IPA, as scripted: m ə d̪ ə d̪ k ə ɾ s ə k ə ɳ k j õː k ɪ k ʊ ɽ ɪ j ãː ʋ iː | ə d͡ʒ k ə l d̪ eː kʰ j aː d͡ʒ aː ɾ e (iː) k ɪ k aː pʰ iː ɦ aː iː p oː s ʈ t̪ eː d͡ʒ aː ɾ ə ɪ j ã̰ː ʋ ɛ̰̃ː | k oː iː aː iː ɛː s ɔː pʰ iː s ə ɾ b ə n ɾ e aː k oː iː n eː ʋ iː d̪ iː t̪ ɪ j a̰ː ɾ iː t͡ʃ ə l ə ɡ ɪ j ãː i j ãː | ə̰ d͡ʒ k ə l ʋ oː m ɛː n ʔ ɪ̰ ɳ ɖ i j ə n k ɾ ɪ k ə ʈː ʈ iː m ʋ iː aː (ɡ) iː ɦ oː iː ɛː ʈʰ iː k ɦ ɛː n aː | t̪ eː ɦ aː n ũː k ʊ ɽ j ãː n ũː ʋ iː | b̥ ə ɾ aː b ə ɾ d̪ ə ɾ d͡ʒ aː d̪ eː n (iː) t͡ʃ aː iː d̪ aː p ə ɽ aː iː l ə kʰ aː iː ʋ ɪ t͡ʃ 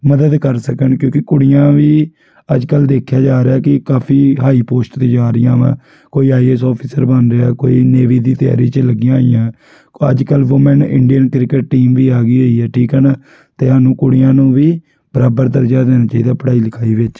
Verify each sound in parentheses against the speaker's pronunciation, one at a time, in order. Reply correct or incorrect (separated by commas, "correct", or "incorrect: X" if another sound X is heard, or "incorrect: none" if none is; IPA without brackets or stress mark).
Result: incorrect: aː, correct, incorrect: aː